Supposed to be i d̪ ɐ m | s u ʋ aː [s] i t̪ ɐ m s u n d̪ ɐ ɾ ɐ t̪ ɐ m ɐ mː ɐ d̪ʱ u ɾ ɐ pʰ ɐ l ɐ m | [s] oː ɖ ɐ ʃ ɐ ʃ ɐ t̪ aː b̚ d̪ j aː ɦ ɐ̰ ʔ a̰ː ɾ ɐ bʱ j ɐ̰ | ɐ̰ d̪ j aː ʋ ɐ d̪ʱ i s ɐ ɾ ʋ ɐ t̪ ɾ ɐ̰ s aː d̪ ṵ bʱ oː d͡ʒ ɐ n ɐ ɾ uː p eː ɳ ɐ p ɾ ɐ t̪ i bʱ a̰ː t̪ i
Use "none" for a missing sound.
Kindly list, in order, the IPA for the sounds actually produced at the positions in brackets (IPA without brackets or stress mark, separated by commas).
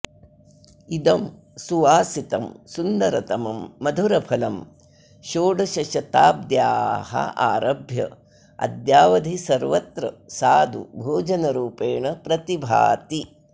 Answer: s, ʃ